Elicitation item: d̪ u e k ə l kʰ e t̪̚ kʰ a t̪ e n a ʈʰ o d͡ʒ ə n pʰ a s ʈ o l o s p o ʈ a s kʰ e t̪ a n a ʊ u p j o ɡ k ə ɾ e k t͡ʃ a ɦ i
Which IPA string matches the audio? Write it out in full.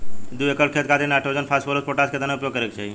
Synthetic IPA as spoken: d̪ u e k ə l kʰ e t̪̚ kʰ a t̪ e n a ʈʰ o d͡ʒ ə n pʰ a s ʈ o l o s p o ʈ a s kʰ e t̪ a n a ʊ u p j o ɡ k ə ɾ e k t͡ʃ a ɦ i